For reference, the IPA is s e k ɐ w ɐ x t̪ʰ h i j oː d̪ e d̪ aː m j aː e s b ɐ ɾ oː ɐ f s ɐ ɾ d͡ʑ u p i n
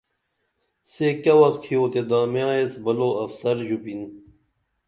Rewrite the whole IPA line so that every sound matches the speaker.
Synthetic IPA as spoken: s e k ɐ w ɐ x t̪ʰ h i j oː t̪ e d̪ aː m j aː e s b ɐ l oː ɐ f s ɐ ɾ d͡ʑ u p i n